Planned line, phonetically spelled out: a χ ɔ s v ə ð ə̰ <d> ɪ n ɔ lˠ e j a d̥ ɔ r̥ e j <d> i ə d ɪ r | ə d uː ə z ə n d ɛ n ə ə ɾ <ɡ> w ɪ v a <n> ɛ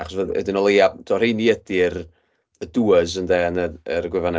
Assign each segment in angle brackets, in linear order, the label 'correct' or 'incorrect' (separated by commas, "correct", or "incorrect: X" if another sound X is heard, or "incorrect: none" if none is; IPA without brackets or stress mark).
correct, incorrect: n, correct, correct